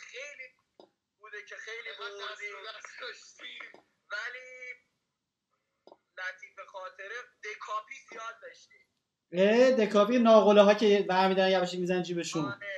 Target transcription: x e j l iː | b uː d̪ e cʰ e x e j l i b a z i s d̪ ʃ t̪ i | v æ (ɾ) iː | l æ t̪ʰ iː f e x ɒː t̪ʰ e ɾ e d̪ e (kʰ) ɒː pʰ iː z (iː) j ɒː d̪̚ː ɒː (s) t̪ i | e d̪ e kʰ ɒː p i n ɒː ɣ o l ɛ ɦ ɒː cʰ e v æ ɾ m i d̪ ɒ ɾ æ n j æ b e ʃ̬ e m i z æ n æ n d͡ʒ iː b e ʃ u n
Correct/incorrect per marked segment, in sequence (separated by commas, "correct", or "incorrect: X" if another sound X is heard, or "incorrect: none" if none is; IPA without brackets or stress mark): incorrect: l, correct, incorrect: i, incorrect: ʃ